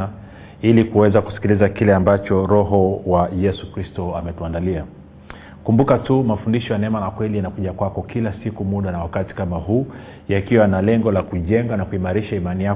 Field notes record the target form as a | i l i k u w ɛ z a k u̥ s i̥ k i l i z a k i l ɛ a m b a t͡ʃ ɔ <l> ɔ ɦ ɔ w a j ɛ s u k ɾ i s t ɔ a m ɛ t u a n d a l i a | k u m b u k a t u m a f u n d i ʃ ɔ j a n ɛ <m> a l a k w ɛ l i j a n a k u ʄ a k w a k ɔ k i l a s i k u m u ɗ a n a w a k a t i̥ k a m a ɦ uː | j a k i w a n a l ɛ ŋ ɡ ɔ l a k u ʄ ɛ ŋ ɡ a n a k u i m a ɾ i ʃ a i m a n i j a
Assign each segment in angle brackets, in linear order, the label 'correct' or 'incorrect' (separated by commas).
incorrect, correct